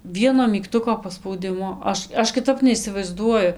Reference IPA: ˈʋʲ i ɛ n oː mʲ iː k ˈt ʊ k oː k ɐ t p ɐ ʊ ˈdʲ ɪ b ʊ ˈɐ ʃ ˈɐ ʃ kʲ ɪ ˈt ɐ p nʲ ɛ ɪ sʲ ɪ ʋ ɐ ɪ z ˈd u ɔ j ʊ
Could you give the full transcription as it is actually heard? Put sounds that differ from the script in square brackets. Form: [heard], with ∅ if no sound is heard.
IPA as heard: ˈʋʲ i ɛ n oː mʲ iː k ˈt ʊ k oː [p] ɐ [s] p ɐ ʊ ˈdʲ ɪ [m] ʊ ˈɐ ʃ ˈɐ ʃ kʲ ɪ ˈt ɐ p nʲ ɛ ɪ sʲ ɪ ʋ ɐ ɪ z ˈd u ɔ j ʊ